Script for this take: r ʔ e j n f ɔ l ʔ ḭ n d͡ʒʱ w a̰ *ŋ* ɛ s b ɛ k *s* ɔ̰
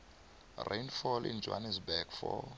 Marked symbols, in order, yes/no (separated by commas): no, no